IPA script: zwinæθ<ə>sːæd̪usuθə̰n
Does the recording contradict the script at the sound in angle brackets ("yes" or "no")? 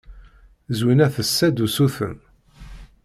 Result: no